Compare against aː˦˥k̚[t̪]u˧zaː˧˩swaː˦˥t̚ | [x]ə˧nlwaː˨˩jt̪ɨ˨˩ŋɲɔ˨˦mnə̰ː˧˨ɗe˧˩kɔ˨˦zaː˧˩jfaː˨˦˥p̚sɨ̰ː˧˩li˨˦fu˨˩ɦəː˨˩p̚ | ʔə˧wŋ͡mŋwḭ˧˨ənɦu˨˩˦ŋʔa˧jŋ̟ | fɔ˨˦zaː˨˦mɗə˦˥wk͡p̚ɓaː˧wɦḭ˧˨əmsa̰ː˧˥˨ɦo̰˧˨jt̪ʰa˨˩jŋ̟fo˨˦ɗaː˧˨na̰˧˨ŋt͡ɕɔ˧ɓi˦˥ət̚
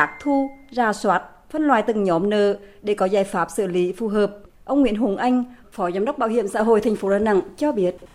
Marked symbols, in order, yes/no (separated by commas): no, no